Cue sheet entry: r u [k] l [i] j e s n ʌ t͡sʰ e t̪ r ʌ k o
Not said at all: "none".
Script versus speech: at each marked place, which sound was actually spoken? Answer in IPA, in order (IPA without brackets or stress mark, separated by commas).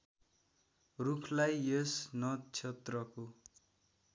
kʰ, a